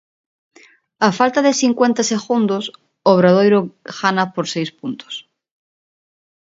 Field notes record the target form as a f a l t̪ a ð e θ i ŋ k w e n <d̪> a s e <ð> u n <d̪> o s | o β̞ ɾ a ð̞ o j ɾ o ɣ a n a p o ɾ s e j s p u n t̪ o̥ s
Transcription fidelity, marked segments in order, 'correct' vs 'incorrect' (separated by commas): incorrect, incorrect, correct